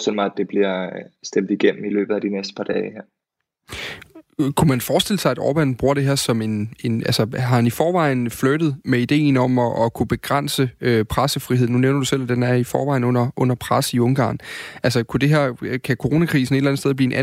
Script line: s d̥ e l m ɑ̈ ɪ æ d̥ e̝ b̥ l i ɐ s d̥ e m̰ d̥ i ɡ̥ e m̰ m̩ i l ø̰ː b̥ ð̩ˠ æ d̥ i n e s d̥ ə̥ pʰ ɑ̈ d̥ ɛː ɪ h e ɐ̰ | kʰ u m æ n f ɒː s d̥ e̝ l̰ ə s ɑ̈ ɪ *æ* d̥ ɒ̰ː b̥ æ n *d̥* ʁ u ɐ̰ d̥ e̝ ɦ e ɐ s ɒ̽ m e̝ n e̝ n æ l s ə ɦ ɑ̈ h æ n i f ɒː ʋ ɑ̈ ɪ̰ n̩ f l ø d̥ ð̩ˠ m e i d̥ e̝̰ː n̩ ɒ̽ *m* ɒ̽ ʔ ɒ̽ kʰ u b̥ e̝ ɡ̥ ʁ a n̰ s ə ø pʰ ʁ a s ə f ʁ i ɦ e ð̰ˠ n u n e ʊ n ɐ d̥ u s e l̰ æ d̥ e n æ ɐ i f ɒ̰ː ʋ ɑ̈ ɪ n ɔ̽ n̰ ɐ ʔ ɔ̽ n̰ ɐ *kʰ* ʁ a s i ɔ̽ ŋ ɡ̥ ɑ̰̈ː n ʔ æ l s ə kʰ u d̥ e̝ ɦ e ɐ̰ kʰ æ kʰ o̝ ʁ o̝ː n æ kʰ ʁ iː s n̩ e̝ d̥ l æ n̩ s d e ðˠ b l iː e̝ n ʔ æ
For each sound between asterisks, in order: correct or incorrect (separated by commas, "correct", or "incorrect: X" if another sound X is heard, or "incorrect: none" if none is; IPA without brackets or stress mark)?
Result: correct, incorrect: b̥, correct, incorrect: pʰ